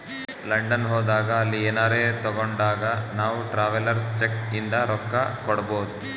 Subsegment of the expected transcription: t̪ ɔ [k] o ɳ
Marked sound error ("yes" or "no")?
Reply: yes